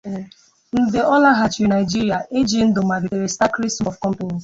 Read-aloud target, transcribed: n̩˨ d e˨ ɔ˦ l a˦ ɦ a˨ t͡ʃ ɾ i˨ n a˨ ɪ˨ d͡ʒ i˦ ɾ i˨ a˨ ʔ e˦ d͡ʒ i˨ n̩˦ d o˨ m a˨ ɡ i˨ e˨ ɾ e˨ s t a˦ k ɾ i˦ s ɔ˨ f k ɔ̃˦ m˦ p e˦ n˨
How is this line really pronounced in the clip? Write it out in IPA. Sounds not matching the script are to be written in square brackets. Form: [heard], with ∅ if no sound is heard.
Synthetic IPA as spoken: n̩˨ d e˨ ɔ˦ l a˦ ɦ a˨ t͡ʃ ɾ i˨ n a˨ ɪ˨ d͡ʒ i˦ ɾ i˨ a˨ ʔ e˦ d͡ʒ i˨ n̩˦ d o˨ m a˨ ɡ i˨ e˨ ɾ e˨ s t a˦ k ɾ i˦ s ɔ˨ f k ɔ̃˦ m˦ p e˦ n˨